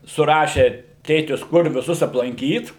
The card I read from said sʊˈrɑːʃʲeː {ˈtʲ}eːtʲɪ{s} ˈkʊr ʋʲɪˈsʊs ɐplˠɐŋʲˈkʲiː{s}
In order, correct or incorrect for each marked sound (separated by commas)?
correct, correct, incorrect